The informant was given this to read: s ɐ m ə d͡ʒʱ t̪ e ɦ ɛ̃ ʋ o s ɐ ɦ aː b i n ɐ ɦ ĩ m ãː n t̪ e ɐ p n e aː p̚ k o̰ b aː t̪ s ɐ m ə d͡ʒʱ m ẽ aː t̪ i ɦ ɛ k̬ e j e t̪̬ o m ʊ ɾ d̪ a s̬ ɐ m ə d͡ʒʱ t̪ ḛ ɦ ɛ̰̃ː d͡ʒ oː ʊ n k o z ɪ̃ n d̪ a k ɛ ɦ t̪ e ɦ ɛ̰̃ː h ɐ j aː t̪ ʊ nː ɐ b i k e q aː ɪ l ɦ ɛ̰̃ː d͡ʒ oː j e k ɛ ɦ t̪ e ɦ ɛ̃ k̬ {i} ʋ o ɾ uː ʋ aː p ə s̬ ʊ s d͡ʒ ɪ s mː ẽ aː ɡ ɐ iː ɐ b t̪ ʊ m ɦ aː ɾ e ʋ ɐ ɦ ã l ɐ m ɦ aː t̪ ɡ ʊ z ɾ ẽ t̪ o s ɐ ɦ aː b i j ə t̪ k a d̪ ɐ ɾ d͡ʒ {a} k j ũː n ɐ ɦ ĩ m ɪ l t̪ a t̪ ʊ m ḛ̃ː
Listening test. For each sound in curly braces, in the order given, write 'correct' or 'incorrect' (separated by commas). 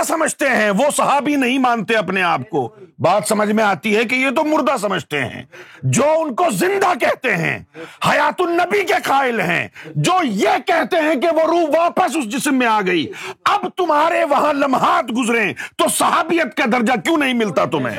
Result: incorrect, correct